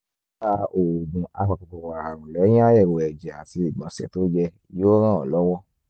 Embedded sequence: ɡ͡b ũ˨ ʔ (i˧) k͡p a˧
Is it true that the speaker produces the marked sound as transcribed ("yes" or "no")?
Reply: no